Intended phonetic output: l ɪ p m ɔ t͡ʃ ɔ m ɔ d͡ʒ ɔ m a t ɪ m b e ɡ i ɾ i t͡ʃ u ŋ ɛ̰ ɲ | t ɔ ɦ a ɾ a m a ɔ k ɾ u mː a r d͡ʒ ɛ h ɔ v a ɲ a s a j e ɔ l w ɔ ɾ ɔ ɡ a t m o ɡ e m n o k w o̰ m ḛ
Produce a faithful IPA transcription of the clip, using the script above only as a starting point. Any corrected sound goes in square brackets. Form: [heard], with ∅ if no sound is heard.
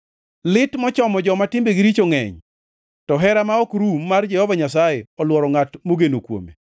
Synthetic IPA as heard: l ɪ [t] m ɔ t͡ʃ ɔ m ɔ d͡ʒ ɔ m a t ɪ m b e ɡ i ɾ i t͡ʃ [o] ŋ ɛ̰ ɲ | t ɔ ɦ [ɛ] ɾ a m a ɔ k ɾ u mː a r d͡ʒ ɛ h ɔ v a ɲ a s a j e ɔ l w ɔ ɾ ɔ [ŋ] a t m o ɡ e [∅] n o k w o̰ m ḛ